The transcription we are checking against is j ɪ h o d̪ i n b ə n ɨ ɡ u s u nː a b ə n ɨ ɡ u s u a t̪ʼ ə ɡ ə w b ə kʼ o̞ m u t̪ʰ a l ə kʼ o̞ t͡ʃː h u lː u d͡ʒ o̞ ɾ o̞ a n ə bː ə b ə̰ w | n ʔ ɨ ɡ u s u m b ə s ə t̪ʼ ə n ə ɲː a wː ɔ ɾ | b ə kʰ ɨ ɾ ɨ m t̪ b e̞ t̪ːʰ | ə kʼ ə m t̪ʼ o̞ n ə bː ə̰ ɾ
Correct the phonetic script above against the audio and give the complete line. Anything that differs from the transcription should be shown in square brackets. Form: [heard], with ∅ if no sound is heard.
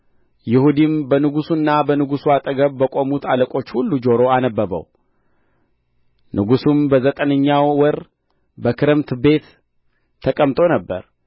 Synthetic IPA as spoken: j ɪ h [u] d̪ i [m] b ə n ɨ ɡ u s u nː a b ə n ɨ ɡ u s u a t̪ʼ ə ɡ ə [β] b ə kʼ o̞ m u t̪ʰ a l ə kʼ o̞ t͡ʃː h u lː u d͡ʒ o̞ ɾ o̞ a n ə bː ə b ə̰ w | n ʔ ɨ ɡ u s u m b ə [z] ə t̪ʼ ə n ə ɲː a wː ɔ ɾ | b ə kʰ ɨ ɾ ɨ m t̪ b e̞ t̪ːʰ | ə kʼ ə m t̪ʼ o̞ n ə bː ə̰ ɾ